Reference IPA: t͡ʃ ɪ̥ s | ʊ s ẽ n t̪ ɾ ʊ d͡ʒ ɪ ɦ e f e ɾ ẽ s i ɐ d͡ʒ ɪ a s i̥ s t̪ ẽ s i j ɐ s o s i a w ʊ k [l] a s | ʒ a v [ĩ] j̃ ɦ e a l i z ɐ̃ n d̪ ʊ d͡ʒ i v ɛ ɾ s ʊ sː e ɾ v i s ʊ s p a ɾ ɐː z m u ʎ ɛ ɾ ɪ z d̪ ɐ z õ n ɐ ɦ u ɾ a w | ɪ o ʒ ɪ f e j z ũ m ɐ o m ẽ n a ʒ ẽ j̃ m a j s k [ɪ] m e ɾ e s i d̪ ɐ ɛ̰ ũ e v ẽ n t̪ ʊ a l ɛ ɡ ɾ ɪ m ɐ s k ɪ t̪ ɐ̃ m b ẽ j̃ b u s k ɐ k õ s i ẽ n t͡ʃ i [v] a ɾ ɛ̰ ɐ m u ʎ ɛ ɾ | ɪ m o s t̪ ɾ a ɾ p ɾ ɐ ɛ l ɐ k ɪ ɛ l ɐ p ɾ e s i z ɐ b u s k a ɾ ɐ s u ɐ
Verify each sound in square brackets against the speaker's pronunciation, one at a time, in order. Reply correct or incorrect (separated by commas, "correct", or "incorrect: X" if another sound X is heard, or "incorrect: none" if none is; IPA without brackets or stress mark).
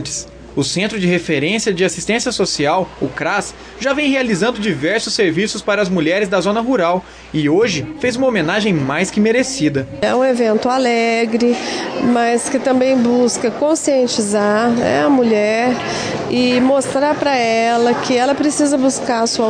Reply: incorrect: ɾ, incorrect: ẽ, correct, incorrect: z